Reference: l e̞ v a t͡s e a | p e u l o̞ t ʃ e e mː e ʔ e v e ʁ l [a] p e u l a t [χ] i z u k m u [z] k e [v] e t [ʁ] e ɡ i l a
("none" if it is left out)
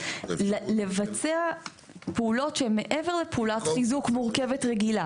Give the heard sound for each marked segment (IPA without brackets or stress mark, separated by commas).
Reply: e, χ, ʁ, v, ʁ